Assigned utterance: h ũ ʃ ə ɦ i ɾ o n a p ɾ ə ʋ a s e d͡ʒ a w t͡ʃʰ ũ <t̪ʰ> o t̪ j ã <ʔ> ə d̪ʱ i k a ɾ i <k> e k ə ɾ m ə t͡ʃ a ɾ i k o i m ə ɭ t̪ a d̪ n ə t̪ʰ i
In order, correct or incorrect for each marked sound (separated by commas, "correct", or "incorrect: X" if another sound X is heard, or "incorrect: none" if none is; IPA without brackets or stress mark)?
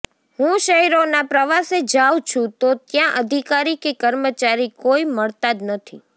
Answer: incorrect: t̪, correct, correct